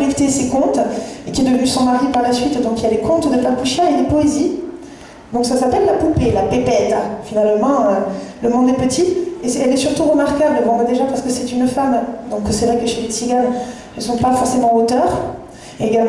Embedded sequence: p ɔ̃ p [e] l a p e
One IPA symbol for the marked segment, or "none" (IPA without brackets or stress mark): e